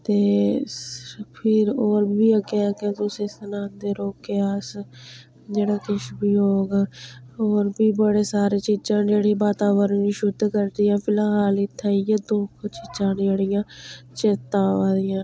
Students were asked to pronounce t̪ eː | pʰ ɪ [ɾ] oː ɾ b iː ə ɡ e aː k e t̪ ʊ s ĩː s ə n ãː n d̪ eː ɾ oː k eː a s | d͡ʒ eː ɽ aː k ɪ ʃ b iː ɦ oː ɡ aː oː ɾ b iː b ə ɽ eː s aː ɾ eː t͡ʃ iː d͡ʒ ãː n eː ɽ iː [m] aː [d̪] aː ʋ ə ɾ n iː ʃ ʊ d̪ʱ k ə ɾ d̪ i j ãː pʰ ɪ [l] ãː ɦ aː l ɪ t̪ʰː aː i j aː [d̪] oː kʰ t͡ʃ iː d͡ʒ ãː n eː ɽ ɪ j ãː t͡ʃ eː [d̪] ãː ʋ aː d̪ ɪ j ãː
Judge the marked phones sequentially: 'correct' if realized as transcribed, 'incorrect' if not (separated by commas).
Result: correct, incorrect, incorrect, correct, correct, incorrect